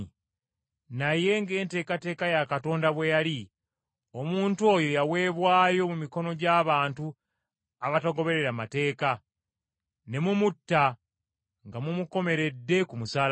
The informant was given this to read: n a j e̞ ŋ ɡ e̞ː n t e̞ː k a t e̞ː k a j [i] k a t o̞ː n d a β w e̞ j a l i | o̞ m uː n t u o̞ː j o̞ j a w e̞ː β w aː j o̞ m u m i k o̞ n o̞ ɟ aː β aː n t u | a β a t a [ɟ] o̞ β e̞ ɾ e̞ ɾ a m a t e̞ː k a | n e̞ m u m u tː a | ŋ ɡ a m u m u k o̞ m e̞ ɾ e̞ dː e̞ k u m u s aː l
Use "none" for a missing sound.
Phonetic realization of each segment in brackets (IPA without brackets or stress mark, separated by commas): a, ɡ